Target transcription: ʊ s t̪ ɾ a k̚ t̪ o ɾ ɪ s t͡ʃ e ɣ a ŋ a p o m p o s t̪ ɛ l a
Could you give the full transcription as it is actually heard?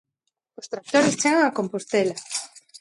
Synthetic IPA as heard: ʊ s t̪ ɾ a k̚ t̪ o ɾ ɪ s t͡ʃ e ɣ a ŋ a k o m p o s t̪ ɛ l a